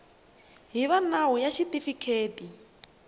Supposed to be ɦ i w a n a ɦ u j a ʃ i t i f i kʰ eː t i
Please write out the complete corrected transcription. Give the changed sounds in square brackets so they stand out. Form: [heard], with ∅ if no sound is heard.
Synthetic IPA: ɦ i [β] a n a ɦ u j a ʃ i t i f i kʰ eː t i